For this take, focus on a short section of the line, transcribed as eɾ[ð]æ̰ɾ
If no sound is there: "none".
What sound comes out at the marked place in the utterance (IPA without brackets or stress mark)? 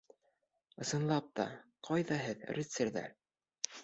ð